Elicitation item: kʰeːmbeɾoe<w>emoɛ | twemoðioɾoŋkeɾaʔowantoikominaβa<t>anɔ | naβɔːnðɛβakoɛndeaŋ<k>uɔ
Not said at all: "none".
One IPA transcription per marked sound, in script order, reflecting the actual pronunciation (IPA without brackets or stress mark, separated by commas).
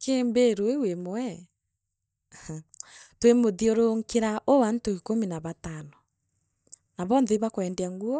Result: w, t, ɡ